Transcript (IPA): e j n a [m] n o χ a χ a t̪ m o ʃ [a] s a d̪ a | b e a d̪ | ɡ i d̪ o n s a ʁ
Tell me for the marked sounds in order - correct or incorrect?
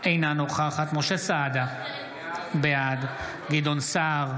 incorrect, incorrect

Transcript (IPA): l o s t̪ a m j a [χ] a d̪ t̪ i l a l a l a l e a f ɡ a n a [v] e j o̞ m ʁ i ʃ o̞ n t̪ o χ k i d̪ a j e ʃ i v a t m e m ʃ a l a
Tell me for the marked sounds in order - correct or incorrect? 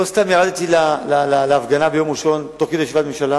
incorrect, incorrect

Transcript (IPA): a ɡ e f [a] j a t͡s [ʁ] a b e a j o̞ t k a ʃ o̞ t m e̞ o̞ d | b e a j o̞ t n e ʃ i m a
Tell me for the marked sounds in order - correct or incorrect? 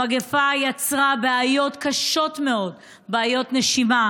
correct, correct

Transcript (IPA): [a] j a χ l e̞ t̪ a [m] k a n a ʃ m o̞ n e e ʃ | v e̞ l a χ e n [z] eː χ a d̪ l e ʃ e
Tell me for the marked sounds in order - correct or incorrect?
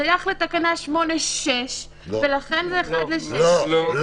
correct, incorrect, correct

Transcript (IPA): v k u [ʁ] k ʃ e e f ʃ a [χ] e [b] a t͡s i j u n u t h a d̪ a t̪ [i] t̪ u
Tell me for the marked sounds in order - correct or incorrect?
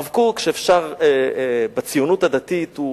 incorrect, incorrect, correct, correct

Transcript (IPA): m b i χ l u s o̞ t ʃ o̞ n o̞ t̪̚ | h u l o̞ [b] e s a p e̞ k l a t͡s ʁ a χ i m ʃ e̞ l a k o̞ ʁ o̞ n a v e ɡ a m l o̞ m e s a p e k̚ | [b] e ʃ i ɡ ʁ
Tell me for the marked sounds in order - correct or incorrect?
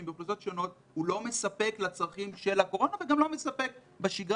incorrect, correct

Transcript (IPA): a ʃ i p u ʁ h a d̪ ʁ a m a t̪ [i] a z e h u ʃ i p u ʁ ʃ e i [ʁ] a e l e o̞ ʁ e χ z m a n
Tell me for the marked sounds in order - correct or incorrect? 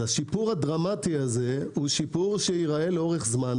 correct, correct

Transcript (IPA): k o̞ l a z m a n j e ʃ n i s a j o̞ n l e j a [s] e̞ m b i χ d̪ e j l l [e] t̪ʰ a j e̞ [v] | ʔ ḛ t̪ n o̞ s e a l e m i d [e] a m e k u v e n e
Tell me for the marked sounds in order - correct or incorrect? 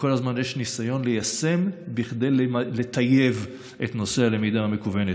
correct, correct, correct, incorrect

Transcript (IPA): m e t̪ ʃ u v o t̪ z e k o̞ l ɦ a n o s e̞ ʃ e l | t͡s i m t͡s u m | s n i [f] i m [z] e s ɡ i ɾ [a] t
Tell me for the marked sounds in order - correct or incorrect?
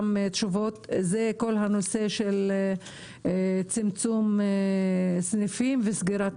correct, incorrect, correct

